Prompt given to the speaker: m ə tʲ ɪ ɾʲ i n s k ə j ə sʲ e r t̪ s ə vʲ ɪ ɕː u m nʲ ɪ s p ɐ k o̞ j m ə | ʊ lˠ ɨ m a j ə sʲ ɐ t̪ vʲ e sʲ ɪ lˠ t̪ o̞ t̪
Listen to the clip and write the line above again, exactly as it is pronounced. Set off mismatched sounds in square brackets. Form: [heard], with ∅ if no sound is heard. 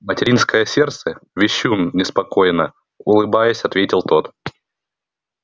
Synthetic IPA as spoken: m ə tʲ ɪ ɾʲ i n s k ə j ə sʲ e r t̪ s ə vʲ ɪ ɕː u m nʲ ɪ s p ɐ k o̞ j [n] ə | ʊ lˠ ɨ [b] a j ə sʲ ɐ t̪ vʲ e [tʲ] ɪ lˠ t̪ o̞ t̪